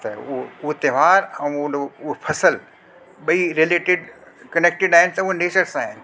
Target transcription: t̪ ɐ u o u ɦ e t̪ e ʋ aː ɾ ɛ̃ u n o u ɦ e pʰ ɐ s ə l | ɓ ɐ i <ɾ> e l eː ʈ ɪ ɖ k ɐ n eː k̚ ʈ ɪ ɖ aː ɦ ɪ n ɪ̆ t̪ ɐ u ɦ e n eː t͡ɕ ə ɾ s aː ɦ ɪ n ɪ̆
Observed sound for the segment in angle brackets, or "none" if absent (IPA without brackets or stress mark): ɾ